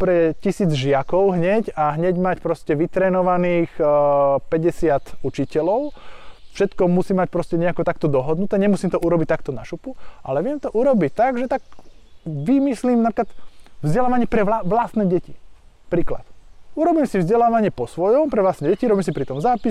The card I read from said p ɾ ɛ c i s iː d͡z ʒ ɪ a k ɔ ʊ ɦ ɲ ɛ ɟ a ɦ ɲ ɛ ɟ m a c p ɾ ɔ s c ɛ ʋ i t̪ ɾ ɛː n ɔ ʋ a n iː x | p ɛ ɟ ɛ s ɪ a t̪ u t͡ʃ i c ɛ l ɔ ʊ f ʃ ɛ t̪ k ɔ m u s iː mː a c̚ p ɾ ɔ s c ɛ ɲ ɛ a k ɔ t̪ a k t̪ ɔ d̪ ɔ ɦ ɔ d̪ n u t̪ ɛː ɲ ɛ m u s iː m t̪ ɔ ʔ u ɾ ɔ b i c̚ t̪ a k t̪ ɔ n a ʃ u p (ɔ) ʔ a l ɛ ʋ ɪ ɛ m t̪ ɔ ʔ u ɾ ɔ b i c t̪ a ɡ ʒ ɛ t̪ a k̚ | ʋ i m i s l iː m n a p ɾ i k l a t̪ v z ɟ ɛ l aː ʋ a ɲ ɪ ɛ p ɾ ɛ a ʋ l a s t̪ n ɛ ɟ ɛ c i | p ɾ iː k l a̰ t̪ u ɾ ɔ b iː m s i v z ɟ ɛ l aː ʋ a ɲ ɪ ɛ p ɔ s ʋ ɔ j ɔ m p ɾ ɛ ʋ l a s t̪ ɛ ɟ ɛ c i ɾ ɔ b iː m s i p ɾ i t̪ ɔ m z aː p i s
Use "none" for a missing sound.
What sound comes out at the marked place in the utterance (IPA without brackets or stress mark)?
u